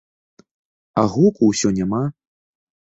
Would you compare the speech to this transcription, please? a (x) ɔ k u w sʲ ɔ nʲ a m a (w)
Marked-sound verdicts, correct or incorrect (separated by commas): incorrect, incorrect